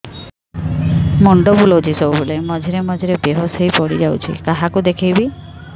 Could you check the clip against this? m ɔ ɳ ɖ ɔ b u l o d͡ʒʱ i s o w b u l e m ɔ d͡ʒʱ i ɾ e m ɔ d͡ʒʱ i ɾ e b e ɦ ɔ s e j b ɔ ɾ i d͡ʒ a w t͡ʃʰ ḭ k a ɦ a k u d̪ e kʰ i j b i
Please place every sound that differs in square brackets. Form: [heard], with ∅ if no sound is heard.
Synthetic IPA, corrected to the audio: m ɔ ɳ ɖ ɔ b u l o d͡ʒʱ i s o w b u l e m ɔ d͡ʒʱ i ɾ e m ɔ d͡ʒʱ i ɾ e b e ɦ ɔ s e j [p] ɔ [ɽ] i d͡ʒ a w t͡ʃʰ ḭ k a ɦ a k u d̪ e kʰ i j b i